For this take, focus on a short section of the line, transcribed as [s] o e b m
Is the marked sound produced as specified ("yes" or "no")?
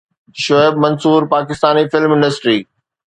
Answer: no